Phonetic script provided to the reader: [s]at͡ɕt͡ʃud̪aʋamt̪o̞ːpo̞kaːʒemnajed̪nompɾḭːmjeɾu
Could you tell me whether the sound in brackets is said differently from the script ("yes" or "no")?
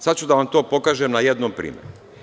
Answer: no